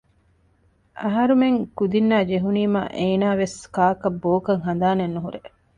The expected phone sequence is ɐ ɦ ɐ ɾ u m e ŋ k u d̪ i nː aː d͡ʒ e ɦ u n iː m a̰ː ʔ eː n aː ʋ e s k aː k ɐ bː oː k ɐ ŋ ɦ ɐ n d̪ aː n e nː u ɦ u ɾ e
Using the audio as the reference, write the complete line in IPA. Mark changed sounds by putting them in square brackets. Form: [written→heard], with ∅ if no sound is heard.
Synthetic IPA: ɐ ɦ ɐ ɾ u m e ŋ k u d̪ i nː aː d͡ʒ e ɦ u n iː m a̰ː ʔ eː n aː ʋ e s k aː k ɐ bː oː k ɐ ŋ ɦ ɐ n d̪ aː n e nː u ɦ u ɾ e